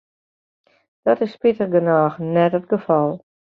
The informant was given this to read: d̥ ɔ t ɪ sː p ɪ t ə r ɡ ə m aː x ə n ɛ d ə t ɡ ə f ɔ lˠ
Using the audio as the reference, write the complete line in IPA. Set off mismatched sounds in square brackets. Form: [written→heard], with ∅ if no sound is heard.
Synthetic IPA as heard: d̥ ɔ t ɪ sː p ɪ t ə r ɡ ə [m→n] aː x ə n ɛ [d→t] ə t ɡ ə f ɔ lˠ